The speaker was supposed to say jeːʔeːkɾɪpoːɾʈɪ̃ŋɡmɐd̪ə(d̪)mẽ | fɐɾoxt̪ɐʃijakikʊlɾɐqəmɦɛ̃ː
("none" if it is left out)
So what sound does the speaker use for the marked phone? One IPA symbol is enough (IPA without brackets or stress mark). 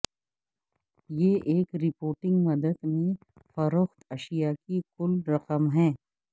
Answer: d̪